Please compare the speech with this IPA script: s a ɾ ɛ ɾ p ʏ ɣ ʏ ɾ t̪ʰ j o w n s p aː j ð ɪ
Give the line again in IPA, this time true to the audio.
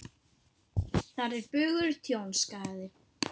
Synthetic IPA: θ a ɾ ɛ ɾ p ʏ ɣ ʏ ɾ t̪ʰ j o w n s k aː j ð ɪ